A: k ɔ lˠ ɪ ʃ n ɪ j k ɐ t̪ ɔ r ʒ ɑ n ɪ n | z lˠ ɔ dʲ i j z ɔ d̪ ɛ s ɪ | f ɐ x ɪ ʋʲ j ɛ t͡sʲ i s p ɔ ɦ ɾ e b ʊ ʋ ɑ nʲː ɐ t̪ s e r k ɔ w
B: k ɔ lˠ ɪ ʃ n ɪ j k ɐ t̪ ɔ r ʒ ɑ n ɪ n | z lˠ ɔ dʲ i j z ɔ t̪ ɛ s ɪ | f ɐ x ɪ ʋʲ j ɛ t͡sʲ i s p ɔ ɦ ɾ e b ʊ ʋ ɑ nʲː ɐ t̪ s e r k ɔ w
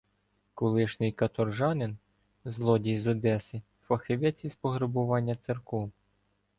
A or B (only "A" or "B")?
A